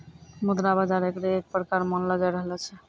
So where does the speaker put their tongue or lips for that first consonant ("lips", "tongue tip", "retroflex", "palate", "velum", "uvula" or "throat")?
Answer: lips